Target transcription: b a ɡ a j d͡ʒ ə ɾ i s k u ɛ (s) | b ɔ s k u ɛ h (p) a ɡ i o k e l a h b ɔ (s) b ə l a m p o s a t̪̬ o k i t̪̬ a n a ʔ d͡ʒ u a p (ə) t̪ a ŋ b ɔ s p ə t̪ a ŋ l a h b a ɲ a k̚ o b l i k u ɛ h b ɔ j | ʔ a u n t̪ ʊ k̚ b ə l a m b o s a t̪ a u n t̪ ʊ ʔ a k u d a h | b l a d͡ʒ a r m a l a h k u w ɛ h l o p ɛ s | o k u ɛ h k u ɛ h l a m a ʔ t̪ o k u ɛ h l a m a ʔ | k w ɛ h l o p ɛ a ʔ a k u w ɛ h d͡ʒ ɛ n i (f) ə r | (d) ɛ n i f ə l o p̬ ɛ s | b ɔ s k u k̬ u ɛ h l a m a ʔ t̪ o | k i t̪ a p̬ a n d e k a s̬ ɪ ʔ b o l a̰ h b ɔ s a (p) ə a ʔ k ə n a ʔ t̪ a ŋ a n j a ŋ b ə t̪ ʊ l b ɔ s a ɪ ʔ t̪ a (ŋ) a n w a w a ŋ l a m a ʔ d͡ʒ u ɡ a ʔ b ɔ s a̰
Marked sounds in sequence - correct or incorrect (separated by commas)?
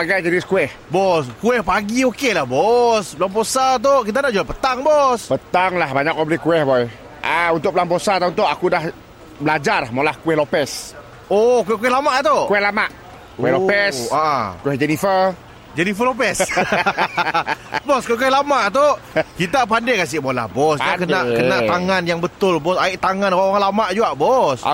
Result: incorrect, correct, correct, correct, correct, incorrect, incorrect, correct